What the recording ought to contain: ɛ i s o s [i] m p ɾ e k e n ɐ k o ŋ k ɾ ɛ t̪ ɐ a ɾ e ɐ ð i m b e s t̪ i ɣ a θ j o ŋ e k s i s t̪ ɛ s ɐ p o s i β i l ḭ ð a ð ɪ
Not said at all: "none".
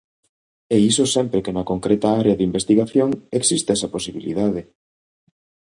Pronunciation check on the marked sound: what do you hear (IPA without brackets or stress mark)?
ɛ